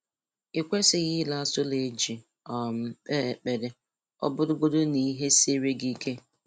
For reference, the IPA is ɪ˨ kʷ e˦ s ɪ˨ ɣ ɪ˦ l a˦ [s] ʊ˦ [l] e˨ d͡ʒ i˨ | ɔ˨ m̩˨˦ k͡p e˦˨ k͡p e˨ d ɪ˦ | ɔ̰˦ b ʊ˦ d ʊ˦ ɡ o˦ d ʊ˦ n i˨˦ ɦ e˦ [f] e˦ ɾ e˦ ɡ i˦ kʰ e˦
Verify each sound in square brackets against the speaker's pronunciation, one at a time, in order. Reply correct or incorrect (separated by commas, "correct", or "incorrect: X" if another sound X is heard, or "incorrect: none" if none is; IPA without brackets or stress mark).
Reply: correct, correct, incorrect: s